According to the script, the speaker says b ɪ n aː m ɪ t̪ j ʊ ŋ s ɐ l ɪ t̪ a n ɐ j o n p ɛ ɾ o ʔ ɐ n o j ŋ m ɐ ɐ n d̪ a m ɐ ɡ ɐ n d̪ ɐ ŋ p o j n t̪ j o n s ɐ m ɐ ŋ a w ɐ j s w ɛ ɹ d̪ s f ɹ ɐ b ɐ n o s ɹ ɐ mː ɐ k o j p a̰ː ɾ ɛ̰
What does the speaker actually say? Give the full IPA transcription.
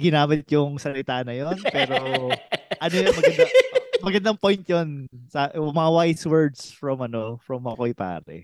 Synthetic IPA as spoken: ɡ ɪ n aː m ɪ t̪ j ʊ ŋ s ɐ l ɪ t̪ a n ɐ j o n p ɛː ɾ o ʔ ɐ n o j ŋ m ɐ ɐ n d̪ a m ɐ ɡ ɐ n d̪ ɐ ŋ p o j n t̪ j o n s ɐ m ɐ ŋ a w a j s w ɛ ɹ d̪ s f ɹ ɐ m ɐ n o f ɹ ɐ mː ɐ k o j p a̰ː ɾ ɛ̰